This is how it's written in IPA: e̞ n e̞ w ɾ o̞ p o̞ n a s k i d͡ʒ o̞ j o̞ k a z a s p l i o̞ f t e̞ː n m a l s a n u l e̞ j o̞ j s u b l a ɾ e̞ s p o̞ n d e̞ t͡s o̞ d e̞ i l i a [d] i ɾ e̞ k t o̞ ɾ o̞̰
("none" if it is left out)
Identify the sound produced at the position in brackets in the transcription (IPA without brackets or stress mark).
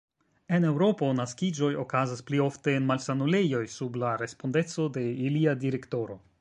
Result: d